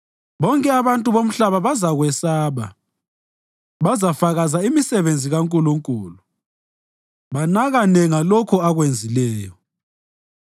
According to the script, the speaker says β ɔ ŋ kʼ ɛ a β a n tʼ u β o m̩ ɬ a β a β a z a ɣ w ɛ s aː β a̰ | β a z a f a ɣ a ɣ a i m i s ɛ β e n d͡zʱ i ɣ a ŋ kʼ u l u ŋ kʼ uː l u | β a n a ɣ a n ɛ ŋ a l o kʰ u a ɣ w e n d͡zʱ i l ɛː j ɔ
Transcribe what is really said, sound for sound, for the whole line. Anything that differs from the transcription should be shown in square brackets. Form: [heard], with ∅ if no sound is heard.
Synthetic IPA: β ɔ ŋ kʼ ɛ a β a n tʼ u β o m̩ ɬ a β a β a z a ɣ w ɛ s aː β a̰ | β a z a f a ɣ a [z] a i m i s ɛ β e n d͡zʱ i ɣ a ŋ kʼ u l u ŋ kʼ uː l u | β a n a ɣ a n ɛ ŋ a l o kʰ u a ɣ w e n d͡zʱ i l ɛː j ɔ